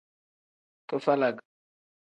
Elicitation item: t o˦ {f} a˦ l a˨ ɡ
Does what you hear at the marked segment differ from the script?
no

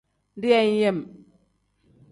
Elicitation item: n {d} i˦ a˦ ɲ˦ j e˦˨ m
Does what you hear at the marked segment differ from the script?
no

